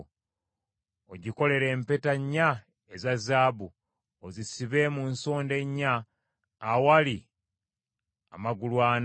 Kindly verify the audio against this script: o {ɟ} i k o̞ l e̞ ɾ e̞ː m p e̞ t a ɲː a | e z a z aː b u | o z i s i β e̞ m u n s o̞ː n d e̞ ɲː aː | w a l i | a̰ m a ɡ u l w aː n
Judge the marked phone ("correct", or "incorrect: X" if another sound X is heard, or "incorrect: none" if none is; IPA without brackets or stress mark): correct